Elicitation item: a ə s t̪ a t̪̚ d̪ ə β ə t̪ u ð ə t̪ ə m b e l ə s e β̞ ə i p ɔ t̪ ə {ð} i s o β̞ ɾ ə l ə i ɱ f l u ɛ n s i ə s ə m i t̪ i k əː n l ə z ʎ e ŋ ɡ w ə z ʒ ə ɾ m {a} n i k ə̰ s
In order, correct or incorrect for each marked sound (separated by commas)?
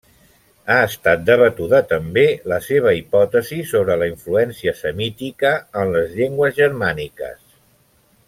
incorrect, correct